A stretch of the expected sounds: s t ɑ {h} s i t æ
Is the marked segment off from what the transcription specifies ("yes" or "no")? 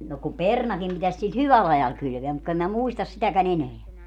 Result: yes